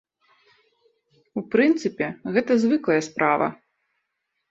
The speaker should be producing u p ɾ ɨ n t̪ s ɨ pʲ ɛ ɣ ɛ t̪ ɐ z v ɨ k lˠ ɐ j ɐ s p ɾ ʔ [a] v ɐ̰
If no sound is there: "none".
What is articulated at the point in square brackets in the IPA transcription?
a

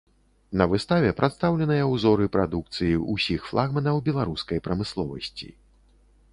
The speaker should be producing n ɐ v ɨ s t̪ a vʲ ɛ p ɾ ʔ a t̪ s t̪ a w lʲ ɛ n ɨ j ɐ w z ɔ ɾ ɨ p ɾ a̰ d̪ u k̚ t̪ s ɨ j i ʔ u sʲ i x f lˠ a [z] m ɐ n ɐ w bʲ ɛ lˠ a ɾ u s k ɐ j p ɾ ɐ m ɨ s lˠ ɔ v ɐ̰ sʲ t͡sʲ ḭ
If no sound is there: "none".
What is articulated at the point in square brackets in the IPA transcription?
ɣ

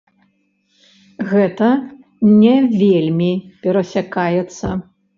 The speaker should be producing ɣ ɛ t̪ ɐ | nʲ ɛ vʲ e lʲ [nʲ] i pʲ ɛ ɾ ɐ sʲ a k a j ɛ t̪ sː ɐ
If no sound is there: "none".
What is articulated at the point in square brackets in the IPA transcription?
mʲ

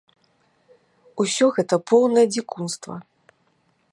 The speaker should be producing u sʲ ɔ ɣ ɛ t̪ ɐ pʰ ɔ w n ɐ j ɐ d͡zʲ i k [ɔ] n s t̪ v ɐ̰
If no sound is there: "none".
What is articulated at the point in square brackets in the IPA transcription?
u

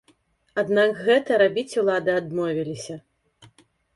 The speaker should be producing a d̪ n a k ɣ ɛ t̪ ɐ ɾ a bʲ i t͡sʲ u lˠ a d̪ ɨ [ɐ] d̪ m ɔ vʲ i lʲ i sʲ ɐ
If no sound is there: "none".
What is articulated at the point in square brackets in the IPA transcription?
a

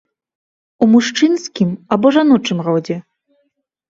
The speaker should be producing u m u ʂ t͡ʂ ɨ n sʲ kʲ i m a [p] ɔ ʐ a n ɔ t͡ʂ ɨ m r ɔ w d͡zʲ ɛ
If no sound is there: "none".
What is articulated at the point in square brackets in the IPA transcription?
b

